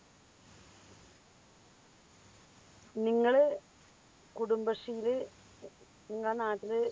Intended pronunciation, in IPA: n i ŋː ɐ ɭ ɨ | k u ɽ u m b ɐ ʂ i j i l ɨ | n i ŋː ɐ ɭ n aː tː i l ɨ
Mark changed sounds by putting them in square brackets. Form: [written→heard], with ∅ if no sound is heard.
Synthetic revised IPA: n i ŋː ɐ ɭ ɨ | k u ɽ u m b ɐ ʂ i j i l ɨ | n i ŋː ɐ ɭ n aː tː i l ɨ